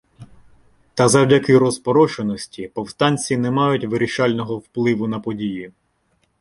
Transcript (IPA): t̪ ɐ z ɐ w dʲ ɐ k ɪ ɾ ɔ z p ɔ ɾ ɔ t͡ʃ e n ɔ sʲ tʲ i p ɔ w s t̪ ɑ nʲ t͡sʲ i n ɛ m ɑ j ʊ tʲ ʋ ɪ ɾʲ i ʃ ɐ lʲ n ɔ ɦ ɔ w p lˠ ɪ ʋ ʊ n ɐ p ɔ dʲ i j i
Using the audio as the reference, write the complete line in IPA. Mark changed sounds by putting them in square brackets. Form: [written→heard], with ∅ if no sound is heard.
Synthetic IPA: t̪ ɐ z ɐ w dʲ ɐ k ɪ ɾ ɔ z p ɔ ɾ ɔ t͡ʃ e n ɔ sʲ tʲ i p ɔ w s t̪ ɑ nʲ t͡sʲ i n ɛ m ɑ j ʊ tʲ ʋ ɪ ɾʲ i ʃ [ɐ→ɑ] lʲ n ɔ ɦ ɔ w p lˠ ɪ ʋ ʊ n ɐ p ɔ dʲ i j i